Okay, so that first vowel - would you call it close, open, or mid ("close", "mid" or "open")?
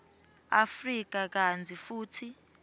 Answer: open